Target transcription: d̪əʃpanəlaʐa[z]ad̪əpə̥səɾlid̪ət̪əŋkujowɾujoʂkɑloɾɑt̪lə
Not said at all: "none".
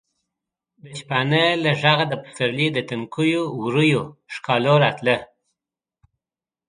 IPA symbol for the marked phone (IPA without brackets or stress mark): ɣ